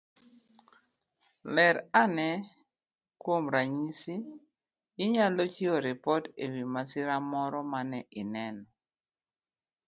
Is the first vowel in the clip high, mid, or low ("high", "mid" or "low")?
mid